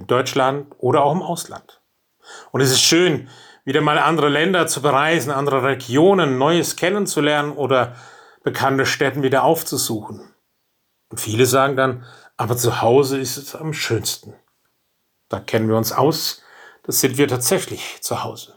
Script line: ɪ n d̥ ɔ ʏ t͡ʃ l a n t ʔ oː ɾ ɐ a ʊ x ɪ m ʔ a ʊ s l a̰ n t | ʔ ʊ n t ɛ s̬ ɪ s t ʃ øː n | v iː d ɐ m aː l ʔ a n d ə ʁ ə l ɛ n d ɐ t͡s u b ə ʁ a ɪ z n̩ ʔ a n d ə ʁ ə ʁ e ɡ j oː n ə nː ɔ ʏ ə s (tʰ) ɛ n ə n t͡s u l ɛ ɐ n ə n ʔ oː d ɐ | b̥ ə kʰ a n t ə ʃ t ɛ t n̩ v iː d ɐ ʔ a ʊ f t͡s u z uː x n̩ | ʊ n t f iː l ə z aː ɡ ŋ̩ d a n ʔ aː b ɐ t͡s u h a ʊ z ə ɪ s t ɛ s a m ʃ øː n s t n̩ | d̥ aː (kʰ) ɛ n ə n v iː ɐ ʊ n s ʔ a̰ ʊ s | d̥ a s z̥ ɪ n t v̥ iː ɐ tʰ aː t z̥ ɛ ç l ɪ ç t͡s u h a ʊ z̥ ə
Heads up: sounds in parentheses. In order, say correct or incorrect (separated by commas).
incorrect, correct